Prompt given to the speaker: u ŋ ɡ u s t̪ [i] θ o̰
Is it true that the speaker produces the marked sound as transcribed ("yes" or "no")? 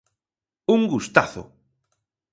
no